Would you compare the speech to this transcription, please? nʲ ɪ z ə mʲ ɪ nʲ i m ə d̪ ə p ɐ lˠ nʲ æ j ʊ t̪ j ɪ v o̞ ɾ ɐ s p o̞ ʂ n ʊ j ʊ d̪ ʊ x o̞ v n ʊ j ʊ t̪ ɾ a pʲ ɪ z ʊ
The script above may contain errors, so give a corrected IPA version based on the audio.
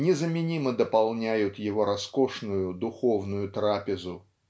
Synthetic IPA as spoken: nʲ ɪ z ə mʲ ɪ nʲ i m ə d̪ ə p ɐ lˠ nʲ æ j ʊ t̪ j ɪ v o̞ ɾ ɐ s k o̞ ʂ n ʊ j ʊ d̪ ʊ x o̞ v n ʊ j ʊ t̪ ɾ a pʲ ɪ z ʊ